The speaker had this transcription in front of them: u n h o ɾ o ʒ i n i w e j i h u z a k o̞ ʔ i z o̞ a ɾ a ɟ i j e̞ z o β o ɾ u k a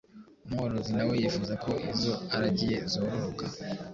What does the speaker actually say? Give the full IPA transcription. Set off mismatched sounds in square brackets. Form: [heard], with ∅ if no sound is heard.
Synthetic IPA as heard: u [m] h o ɾ o [z] i n [a] w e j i [f] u z a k o̞ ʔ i z o̞ a ɾ a ɟ i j e̞ z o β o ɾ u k a